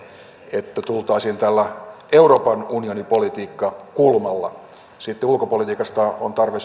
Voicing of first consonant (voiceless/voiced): voiceless